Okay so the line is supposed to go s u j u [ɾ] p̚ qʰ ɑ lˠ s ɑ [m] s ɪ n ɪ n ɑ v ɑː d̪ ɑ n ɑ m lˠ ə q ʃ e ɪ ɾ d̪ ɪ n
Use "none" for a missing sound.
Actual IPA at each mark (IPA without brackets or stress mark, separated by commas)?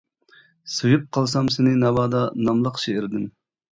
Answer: none, m